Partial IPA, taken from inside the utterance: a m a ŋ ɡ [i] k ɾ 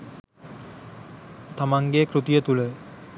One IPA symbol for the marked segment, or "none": e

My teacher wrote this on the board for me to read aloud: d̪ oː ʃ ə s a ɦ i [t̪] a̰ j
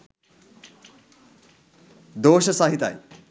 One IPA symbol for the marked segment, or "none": t̪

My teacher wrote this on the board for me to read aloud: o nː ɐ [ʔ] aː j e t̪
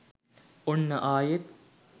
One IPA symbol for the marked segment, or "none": ʔ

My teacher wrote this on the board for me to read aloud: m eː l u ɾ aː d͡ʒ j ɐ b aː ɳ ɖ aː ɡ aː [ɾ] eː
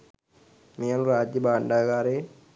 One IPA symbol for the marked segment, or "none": ɾ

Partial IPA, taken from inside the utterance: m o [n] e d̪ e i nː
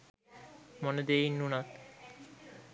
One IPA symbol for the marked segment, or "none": n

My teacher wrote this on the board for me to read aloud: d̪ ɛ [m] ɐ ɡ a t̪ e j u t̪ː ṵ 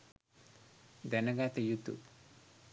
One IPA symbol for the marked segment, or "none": n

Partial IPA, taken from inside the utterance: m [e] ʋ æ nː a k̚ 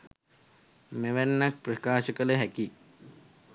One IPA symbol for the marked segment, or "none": e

